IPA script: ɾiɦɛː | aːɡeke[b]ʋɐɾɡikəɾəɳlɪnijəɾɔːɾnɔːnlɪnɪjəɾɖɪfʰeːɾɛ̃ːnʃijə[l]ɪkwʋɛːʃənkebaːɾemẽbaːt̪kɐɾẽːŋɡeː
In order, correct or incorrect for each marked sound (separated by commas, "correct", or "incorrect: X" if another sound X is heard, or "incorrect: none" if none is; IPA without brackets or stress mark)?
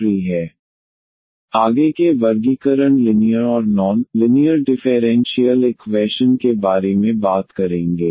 incorrect: none, correct